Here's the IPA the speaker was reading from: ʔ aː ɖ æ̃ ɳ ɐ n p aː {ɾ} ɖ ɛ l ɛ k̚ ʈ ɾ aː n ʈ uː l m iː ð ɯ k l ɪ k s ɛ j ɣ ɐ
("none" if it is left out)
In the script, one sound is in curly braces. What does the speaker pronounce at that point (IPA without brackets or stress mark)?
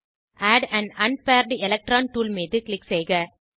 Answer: ɾ